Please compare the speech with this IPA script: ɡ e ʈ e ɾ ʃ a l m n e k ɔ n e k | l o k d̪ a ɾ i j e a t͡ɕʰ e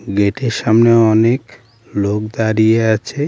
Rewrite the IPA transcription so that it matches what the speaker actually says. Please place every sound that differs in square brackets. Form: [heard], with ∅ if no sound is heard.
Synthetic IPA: ɡ e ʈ e ɾ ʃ a [∅] m n e [∅] ɔ n e k | l o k d̪ a ɾ i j e a t͡ɕʰ e